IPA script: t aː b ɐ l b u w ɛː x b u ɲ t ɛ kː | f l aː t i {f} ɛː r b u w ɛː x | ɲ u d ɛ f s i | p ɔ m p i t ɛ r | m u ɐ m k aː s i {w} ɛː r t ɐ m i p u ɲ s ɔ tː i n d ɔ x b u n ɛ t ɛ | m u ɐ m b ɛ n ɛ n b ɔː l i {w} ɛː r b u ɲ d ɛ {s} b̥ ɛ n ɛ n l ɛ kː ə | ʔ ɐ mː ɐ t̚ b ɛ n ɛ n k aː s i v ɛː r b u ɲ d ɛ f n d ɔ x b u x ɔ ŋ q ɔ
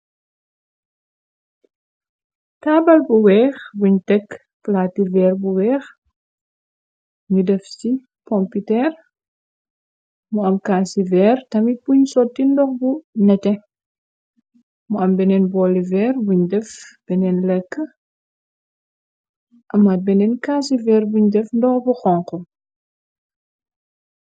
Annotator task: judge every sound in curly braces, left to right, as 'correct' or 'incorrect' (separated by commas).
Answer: incorrect, incorrect, incorrect, incorrect